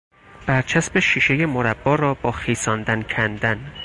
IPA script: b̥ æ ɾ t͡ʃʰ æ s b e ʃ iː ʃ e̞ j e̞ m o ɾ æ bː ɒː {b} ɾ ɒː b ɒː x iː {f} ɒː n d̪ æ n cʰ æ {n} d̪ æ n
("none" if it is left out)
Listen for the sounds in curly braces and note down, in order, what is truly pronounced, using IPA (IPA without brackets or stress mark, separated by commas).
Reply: none, s, n